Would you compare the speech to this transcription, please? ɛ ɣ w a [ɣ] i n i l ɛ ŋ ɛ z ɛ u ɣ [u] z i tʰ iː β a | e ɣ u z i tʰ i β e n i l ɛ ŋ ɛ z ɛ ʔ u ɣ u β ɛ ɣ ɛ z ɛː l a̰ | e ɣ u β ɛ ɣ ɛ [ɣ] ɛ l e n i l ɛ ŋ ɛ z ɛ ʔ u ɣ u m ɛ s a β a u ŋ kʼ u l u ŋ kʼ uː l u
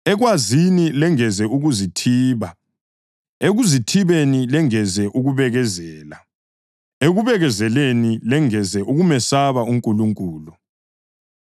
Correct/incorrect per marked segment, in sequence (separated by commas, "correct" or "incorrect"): incorrect, correct, incorrect